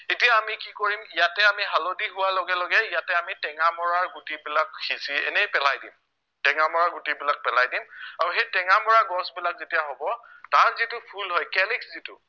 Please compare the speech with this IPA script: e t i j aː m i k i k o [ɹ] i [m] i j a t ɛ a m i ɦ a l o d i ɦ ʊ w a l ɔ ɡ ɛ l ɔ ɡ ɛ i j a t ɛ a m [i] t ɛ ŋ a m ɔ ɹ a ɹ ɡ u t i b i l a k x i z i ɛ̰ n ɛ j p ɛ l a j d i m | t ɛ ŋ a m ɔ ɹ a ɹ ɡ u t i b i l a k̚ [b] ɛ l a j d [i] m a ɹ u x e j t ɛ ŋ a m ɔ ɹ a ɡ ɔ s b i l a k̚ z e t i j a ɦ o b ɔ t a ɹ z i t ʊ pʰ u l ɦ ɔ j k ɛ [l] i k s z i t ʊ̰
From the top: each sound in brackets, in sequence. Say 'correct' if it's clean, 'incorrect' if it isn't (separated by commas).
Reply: correct, correct, correct, incorrect, correct, correct